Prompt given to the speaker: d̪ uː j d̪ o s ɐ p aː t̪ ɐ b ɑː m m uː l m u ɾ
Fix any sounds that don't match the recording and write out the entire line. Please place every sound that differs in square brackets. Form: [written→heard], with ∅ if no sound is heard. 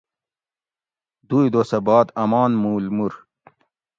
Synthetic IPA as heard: d̪ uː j d̪ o s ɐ [p→b] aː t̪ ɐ [b→m] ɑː [m→n] m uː l m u ɾ